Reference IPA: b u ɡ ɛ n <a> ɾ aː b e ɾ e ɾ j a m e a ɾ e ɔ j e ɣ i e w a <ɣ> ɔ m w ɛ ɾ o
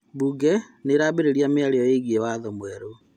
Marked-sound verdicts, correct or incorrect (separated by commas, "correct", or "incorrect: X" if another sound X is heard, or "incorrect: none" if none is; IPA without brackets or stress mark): incorrect: e, incorrect: ð